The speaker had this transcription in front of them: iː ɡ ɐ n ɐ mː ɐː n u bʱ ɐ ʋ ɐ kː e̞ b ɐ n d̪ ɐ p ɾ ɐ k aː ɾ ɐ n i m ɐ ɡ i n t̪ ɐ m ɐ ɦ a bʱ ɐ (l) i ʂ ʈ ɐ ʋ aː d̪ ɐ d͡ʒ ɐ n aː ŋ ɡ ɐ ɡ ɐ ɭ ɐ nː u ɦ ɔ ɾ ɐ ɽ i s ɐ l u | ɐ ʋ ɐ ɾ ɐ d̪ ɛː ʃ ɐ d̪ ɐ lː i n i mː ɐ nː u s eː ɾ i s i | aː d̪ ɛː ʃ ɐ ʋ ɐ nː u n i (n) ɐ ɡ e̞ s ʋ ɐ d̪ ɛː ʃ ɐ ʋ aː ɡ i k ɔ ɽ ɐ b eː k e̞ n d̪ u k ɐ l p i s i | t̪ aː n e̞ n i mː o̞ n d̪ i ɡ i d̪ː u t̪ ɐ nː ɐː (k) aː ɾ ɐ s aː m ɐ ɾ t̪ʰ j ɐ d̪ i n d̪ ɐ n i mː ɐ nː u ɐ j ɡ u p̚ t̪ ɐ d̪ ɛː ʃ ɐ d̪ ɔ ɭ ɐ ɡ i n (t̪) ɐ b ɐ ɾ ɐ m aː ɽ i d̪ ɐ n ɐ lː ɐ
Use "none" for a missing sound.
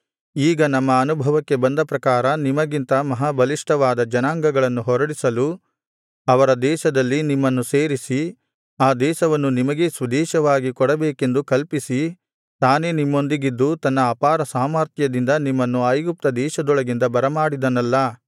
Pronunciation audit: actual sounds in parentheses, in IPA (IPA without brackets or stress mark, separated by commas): l, m, p, d̪